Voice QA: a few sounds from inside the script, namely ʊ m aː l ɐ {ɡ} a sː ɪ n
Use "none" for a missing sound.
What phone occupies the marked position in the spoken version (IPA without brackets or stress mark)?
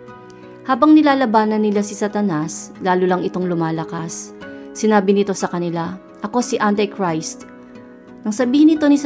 k